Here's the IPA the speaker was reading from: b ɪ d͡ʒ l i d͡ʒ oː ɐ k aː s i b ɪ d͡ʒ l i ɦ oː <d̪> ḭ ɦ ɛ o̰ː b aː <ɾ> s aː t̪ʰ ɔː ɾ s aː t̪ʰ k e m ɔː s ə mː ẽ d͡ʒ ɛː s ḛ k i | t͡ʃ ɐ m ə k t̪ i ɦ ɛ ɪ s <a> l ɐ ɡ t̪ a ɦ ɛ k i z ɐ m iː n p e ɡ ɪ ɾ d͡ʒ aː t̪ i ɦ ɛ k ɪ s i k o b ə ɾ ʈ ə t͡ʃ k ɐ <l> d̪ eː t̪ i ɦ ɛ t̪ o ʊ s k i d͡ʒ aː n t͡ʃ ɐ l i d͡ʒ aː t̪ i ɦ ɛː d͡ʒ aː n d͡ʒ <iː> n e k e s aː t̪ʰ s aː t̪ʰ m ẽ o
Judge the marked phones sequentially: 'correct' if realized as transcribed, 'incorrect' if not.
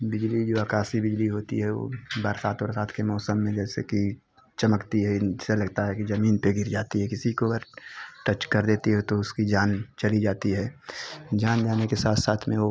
incorrect, correct, incorrect, incorrect, incorrect

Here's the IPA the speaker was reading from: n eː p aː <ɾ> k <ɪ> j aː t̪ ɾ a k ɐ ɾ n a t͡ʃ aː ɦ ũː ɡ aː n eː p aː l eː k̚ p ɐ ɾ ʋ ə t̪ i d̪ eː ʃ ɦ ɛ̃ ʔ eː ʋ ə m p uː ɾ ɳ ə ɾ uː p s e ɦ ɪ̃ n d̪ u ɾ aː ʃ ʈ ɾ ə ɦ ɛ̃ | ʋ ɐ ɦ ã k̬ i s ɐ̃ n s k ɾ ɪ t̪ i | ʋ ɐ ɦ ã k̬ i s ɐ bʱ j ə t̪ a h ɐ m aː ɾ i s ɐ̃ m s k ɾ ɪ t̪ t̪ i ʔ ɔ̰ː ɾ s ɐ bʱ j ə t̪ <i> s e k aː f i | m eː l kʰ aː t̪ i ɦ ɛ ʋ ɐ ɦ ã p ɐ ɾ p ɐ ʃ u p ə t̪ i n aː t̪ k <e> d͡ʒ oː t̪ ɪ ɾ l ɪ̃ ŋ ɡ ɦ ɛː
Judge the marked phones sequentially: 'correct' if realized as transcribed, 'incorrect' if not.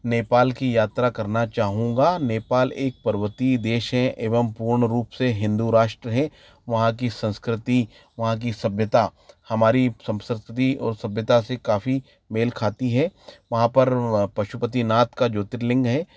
incorrect, incorrect, incorrect, incorrect

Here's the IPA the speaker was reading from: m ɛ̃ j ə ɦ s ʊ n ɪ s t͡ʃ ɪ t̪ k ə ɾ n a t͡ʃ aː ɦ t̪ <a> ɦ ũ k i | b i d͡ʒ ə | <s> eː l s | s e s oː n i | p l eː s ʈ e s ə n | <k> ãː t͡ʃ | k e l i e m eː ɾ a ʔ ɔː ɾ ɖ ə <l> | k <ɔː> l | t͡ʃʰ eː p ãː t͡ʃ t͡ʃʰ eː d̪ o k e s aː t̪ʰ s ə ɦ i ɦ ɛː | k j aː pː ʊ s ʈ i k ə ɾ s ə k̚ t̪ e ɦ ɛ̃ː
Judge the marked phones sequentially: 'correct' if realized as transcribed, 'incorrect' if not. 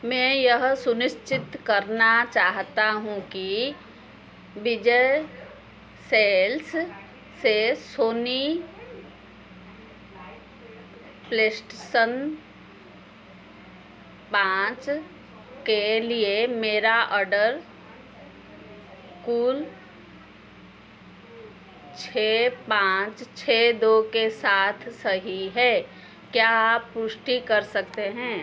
correct, correct, incorrect, incorrect, incorrect

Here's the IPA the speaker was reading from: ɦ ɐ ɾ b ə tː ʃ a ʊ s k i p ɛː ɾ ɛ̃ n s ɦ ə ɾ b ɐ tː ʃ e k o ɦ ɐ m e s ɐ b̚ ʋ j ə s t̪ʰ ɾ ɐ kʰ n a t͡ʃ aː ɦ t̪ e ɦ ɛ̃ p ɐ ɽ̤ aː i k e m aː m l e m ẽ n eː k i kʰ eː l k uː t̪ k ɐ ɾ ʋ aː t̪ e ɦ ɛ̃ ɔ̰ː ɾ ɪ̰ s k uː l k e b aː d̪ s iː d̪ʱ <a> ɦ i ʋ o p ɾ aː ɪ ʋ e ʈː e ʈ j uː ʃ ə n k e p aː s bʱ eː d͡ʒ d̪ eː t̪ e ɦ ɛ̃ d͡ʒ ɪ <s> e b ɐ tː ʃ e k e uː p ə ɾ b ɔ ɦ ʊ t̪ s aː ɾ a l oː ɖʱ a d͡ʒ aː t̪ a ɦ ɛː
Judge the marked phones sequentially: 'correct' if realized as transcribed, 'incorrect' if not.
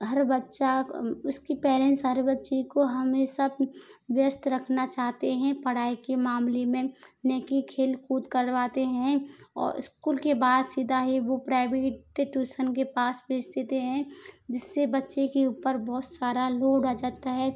correct, incorrect

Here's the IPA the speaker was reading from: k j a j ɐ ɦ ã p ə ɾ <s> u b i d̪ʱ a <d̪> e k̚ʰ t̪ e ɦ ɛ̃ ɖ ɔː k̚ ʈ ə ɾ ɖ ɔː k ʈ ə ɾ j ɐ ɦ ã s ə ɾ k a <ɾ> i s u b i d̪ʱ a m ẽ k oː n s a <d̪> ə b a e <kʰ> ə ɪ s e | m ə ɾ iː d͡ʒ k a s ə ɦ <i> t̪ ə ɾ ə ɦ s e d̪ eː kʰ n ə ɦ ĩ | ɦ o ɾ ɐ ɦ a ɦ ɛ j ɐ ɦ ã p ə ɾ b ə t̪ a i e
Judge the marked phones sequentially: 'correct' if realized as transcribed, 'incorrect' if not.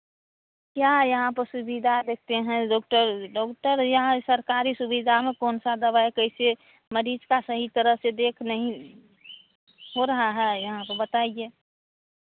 correct, correct, correct, correct, incorrect, correct

